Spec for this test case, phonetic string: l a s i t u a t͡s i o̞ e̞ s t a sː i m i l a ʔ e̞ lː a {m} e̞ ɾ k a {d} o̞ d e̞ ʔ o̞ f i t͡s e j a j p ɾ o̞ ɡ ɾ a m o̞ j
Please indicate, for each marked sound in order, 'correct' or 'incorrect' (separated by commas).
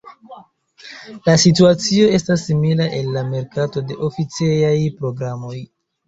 correct, incorrect